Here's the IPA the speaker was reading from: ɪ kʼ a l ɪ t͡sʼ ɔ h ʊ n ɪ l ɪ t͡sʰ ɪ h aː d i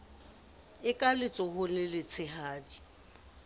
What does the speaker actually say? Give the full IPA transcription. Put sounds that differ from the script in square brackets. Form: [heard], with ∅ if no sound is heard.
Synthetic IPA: ɪ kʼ a l ɪ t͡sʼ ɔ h ʊ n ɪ l ɪ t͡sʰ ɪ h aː d i